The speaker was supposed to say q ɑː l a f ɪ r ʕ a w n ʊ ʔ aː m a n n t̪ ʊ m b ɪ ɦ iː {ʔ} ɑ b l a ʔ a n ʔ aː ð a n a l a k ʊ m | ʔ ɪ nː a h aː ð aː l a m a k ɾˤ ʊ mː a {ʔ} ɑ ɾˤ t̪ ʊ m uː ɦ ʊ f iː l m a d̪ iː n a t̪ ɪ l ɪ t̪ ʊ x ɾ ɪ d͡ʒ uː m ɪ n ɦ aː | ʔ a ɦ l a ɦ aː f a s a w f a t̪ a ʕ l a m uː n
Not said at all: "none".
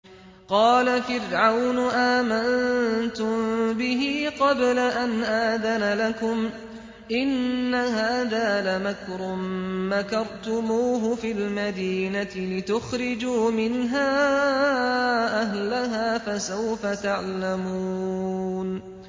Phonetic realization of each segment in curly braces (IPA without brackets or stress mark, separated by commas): q, k